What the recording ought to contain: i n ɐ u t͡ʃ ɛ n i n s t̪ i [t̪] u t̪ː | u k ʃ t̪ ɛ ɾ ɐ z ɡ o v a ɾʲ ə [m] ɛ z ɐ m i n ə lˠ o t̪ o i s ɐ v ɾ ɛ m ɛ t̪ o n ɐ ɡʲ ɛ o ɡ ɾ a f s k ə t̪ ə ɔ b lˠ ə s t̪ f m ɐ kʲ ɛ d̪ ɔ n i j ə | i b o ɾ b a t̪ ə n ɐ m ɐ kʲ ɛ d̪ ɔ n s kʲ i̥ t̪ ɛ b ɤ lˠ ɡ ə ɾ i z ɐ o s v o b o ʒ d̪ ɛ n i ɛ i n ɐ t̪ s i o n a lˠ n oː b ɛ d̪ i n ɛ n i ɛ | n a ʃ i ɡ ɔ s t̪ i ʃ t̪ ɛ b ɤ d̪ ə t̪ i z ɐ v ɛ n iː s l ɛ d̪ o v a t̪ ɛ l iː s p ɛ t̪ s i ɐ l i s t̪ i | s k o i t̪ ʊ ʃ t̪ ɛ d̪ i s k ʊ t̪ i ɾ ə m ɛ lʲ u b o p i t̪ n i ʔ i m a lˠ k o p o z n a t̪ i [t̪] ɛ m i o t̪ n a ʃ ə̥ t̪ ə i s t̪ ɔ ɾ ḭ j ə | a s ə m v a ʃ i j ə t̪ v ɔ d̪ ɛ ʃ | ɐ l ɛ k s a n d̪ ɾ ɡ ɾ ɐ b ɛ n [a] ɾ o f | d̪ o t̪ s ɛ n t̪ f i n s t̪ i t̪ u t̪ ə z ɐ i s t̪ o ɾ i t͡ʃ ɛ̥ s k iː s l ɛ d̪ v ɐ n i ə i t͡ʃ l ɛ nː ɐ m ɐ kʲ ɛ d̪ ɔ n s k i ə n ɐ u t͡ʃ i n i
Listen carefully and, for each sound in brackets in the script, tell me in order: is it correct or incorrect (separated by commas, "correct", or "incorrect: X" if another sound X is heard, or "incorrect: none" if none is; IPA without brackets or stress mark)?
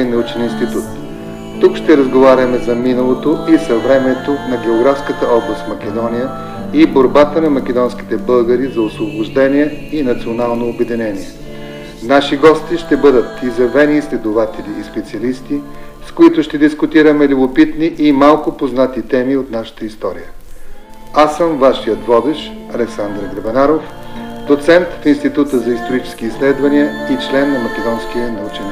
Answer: correct, correct, correct, correct